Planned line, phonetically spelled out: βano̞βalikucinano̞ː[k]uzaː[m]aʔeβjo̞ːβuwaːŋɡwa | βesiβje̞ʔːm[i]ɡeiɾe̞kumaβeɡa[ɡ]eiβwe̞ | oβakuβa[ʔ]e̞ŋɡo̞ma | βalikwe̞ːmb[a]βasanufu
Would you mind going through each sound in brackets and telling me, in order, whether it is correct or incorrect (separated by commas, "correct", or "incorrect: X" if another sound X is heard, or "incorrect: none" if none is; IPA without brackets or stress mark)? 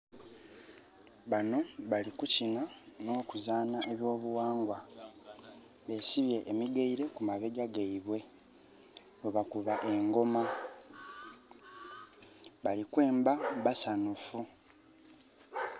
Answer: correct, incorrect: n, correct, correct, correct, correct